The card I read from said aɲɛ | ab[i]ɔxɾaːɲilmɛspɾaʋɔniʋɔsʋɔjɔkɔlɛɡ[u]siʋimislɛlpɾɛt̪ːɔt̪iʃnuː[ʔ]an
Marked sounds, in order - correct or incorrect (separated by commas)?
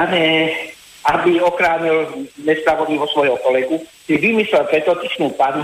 correct, correct, incorrect